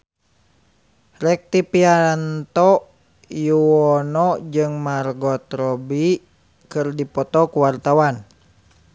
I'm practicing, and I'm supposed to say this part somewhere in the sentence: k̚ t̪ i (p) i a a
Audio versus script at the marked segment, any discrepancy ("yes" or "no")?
no